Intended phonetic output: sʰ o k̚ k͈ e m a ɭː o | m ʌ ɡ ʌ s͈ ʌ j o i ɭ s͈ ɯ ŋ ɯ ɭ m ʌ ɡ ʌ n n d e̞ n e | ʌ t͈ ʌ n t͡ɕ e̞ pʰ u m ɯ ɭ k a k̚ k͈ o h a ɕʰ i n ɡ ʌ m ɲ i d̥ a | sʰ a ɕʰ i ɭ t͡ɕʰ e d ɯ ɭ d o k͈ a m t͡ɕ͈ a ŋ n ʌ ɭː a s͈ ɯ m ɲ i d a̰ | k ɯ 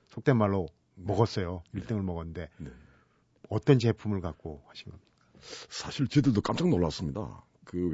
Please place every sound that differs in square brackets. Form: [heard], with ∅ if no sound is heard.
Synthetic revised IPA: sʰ o k̚ [t͈] e m a ɭː o | m ʌ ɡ ʌ s͈ ʌ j o i ɭ [t͈] ɯ ŋ ɯ ɭ m ʌ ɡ ʌ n n d e̞ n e | ʌ t͈ ʌ n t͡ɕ e̞ pʰ u m ɯ ɭ k a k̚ k͈ o h a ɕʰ i n ɡ ʌ m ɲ i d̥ a | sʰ a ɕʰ i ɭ [t͡ɕ] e d ɯ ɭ d o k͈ a m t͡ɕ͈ a ŋ n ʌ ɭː a s͈ ɯ m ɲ i d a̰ | k ɯ